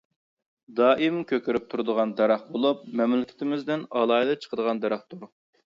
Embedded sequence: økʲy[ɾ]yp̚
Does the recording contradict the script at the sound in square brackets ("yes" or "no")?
no